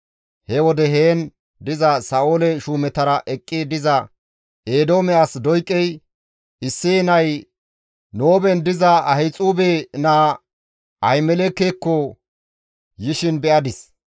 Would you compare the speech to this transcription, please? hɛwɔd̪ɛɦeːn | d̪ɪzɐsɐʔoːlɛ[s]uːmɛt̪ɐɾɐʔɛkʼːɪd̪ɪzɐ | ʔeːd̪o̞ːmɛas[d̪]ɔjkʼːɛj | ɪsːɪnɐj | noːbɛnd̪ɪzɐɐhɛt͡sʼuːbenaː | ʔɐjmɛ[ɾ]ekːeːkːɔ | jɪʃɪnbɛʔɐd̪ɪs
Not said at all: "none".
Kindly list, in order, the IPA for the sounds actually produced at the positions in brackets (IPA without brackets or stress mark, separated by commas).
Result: ʃ, d̪, l